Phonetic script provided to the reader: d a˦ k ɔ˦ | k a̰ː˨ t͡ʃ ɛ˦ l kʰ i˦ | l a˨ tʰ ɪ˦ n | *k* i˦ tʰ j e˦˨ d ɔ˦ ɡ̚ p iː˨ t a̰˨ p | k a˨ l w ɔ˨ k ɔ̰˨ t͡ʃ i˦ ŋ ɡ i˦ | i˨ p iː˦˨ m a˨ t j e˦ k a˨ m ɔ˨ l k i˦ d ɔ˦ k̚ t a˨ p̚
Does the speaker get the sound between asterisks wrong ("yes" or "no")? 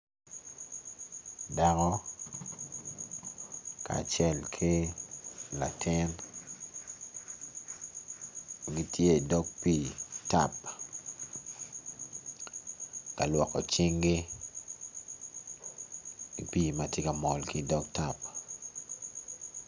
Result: yes